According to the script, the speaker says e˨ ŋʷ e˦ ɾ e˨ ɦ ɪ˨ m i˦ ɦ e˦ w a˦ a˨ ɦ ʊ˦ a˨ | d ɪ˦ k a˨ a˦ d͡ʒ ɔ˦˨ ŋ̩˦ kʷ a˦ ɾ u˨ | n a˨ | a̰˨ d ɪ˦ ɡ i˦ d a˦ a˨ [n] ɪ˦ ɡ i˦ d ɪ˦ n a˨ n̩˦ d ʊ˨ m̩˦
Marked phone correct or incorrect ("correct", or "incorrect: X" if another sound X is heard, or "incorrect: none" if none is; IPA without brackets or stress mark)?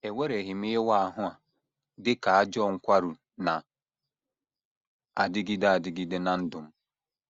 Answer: incorrect: d